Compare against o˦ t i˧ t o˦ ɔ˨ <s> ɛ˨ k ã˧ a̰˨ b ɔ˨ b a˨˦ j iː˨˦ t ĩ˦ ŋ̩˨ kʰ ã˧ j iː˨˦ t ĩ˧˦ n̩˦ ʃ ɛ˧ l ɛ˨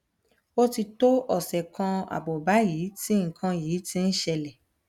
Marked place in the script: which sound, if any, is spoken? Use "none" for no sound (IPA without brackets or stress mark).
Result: s